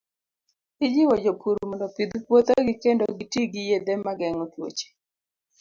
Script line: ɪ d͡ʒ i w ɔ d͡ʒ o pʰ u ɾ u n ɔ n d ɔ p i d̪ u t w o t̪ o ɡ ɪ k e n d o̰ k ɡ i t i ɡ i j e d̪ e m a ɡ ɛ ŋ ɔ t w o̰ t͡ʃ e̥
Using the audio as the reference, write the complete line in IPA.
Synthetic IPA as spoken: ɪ d͡ʒ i w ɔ d͡ʒ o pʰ u ɾ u m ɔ n d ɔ p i d̪ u k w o t̪ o ɡ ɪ k e n d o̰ ɡ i t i ɡ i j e d̪ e m a ɡ ɛ ŋ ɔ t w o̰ t͡ʃ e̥